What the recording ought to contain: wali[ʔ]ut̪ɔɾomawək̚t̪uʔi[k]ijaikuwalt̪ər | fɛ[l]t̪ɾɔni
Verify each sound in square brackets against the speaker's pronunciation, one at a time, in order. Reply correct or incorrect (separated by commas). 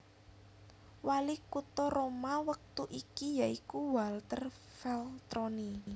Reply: incorrect, correct, correct